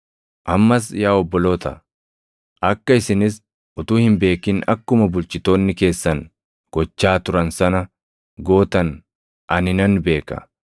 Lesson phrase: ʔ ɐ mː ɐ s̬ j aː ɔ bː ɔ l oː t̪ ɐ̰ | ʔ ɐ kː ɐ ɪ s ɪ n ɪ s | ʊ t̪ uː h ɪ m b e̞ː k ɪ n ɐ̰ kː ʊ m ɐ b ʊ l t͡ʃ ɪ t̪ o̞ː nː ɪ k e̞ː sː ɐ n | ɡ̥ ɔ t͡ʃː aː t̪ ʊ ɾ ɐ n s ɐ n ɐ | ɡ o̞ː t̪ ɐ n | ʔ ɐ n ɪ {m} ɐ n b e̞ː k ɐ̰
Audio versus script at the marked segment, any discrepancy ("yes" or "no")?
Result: yes